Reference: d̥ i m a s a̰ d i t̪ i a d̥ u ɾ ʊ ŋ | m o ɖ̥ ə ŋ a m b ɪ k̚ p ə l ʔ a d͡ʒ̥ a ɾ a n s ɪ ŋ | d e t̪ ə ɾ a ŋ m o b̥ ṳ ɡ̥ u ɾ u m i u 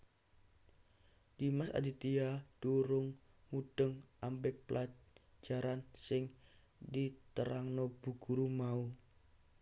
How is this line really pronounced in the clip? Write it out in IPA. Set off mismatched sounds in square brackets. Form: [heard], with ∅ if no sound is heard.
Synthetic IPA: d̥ i m a s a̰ d i t̪ i a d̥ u ɾ ʊ ŋ | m [u] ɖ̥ ə ŋ a m b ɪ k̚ p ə l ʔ a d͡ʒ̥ a ɾ a n s ɪ ŋ | d [i] t̪ ə ɾ a ŋ [n] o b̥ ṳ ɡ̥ u ɾ u m [a] u